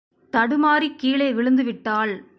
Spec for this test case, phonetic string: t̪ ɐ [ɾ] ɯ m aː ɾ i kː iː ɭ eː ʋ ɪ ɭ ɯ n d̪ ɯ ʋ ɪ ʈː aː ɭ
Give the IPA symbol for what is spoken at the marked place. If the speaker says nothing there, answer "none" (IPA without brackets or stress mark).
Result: ɽ